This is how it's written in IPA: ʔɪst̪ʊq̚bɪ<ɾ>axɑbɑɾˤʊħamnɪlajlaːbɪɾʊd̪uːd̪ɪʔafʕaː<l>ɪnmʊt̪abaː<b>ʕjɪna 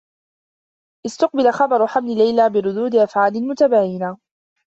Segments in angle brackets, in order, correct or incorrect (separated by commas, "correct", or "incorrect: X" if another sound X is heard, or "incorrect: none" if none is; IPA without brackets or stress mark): incorrect: l, correct, incorrect: none